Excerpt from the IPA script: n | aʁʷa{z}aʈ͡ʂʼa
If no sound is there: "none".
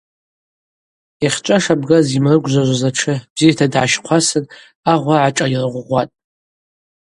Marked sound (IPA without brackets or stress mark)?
ʕ